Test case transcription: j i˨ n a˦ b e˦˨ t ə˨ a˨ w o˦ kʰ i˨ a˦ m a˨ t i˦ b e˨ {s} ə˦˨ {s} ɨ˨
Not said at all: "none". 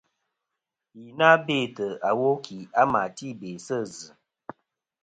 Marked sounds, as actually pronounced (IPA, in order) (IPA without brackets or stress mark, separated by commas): s, z